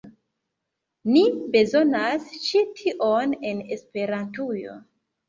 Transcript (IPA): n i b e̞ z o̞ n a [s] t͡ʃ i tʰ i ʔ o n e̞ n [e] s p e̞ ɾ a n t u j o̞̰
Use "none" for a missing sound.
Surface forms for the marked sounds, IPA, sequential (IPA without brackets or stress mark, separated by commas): s, e